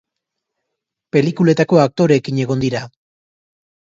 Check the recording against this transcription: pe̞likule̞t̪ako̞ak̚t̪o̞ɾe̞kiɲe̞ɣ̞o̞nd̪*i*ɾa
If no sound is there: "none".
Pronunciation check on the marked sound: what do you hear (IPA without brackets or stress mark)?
i